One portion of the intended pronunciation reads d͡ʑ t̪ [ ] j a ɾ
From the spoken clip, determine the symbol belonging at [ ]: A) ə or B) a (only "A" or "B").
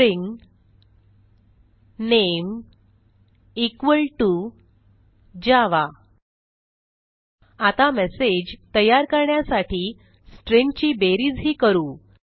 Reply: A